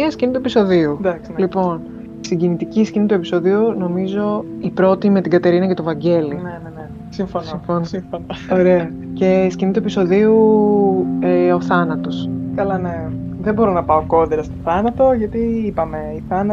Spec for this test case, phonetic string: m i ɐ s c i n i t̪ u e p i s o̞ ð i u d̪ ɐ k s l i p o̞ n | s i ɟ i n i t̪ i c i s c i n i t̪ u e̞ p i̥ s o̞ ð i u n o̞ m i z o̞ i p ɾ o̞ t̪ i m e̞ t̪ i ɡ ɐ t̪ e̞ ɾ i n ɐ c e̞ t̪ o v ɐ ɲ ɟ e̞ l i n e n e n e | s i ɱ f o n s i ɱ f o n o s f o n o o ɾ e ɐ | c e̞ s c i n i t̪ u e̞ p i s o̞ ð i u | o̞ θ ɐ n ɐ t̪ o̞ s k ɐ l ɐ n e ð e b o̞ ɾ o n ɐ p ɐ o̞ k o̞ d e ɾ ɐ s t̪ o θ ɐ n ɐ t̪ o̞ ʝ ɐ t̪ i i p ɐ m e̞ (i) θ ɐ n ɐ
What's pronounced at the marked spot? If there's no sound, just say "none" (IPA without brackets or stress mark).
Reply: i